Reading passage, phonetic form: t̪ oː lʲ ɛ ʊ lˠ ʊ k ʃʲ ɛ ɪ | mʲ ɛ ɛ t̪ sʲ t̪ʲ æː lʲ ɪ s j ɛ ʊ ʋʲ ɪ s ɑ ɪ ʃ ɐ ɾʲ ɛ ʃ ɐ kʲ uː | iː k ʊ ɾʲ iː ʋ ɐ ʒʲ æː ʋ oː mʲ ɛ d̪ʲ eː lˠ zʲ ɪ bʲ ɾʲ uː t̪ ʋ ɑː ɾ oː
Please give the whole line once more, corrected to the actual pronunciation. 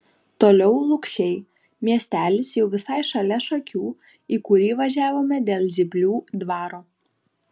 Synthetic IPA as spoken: t̪ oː lʲ ɛ ʊ lˠ ʊ k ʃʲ ɛ ɪ | mʲ i ɛ sʲ t̪ʲ æː lʲ ɪ s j ɛ ʊ ʋʲ ɪ s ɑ ɪ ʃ ɐ lʲ ɛ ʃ ɐ kʲ uː | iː k ʊ ɾʲ iː ʋ ɐ ʒʲ æː ʋ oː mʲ ɛ d̪ʲ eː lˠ zʲ ɪ bʲ lʲ uː d̪ ʋ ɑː ɾ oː